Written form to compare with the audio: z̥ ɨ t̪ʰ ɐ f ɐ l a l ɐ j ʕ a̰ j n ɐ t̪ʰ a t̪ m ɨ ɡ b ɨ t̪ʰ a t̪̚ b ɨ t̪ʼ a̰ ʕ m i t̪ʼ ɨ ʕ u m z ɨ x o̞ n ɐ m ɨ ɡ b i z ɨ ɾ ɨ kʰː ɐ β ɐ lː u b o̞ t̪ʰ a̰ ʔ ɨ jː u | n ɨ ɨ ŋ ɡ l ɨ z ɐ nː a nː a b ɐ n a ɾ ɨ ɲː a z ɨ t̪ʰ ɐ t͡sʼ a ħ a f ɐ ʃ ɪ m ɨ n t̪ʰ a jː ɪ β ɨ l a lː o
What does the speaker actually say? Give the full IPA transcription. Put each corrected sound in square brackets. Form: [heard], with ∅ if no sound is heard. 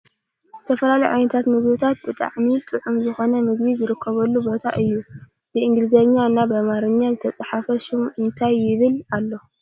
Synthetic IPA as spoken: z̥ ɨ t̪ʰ ɐ f ɐ l a l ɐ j ʕ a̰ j n ɐ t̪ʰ a t̪ m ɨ ɡ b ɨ t̪ʰ a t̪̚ b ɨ t̪ʼ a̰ ʕ m i t̪ʼ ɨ ʕ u m z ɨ x o̞ n ɐ m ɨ ɡ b i z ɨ ɾ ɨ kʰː ɐ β ɐ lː u b o̞ t̪ʰ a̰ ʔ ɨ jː u | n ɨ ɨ ŋ ɡ l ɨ z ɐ [ɲː] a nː a b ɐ [m] a ɾ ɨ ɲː a z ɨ t̪ʰ ɐ t͡sʼ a ħ a f ɐ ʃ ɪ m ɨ n t̪ʰ a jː ɪ β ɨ l a lː o